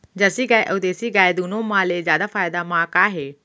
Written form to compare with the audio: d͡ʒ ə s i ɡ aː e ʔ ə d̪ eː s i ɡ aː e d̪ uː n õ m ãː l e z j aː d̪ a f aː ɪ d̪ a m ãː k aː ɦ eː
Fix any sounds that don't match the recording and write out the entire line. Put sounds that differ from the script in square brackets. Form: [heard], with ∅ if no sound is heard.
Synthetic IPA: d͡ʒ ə s i ɡ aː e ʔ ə d̪ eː s i ɡ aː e d̪ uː n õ m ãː l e z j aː d̪ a f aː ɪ d̪ a m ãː k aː ɦ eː